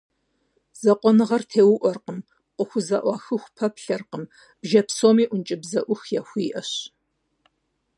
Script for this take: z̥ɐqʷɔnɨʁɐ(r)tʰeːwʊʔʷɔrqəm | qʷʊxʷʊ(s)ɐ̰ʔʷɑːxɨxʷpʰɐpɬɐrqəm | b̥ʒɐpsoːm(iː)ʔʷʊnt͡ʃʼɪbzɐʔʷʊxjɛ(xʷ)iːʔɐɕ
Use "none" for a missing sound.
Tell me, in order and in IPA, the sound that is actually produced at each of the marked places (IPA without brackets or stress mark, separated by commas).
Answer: r, z, iː, xʷ